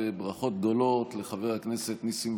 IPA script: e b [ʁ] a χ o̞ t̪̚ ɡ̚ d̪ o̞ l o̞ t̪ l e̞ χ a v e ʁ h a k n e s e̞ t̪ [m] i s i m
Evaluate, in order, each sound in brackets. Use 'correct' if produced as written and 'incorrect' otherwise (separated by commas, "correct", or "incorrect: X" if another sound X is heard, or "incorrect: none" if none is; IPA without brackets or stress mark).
correct, incorrect: n